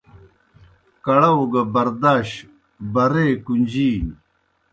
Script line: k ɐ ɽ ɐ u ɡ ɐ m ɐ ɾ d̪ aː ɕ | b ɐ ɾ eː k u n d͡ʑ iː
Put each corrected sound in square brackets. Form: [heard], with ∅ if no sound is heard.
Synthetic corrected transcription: k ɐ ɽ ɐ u ɡ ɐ [b] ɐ ɾ d̪ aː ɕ | b ɐ ɾ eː k u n d͡ʑ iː